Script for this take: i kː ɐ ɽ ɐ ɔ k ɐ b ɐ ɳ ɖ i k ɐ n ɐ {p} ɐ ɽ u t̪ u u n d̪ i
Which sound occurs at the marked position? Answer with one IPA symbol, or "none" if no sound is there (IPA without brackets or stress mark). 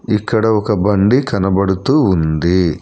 b